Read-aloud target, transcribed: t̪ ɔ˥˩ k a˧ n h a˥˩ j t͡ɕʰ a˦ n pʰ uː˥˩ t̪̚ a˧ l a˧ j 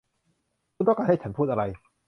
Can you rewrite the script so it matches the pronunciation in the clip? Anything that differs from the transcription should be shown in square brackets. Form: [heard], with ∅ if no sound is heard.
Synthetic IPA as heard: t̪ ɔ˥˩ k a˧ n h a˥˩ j t͡ɕʰ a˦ n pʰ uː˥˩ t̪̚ a˧ [ɾ] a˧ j